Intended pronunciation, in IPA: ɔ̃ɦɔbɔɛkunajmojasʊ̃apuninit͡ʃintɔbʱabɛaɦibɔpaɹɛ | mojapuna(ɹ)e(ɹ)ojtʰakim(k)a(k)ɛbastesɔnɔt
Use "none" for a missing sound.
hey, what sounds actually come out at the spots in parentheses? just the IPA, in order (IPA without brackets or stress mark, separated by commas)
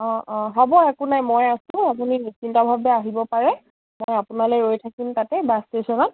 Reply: l, ɹ, t, t